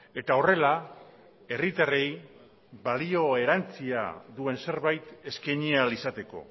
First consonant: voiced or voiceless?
voiceless